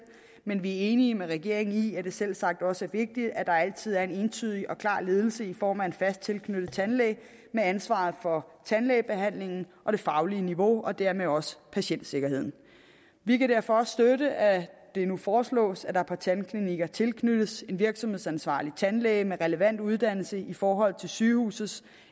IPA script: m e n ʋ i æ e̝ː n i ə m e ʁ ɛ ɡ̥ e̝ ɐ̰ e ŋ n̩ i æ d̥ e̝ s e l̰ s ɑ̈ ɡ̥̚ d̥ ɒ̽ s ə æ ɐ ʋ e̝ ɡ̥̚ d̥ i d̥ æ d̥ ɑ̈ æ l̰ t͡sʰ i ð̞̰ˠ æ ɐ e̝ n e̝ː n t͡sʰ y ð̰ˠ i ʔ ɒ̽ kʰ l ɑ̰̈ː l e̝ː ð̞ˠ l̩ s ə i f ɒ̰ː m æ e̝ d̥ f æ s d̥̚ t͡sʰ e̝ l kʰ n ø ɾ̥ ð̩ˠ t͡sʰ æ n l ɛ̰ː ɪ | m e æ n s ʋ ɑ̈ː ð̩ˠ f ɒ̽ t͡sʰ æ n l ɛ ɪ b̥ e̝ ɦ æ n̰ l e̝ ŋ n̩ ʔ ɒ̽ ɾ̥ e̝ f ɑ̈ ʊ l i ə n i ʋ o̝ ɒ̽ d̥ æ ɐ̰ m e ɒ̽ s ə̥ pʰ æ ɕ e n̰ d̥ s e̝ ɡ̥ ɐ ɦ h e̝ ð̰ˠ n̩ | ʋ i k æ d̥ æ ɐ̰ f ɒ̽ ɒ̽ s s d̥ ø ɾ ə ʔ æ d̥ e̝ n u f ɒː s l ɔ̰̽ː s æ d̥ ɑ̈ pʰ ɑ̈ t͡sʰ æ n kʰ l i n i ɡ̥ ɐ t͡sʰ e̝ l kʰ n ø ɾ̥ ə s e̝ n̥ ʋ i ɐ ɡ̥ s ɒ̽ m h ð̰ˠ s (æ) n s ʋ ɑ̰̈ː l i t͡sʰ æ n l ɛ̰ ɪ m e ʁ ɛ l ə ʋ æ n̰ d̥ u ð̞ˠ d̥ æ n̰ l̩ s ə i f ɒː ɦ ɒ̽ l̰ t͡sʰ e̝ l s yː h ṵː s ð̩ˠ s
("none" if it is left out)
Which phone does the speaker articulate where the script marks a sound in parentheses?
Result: æ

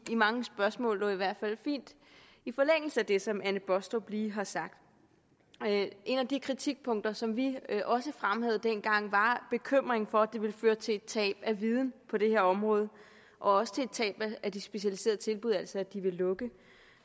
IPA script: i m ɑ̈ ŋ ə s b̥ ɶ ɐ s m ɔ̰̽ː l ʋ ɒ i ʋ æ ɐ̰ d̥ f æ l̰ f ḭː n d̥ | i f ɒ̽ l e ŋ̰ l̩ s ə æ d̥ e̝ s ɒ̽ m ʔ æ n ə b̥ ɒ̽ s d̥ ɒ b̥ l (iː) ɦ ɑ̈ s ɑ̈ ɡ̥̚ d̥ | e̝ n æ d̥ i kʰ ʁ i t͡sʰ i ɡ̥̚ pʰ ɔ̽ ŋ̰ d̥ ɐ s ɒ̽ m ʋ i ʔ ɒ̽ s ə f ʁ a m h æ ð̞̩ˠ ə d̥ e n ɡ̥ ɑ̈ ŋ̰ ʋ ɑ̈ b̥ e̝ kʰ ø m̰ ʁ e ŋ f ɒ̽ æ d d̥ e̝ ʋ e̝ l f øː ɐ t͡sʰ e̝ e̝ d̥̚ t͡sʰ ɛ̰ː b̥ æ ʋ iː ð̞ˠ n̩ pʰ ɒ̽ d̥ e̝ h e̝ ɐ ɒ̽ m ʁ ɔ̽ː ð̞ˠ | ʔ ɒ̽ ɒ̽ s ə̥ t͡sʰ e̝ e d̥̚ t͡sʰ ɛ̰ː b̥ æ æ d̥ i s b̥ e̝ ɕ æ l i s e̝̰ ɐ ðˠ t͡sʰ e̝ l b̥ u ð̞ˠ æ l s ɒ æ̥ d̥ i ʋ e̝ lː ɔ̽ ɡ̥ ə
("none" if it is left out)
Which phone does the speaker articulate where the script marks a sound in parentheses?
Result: iː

